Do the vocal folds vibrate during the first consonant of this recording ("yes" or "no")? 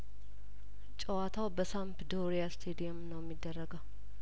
no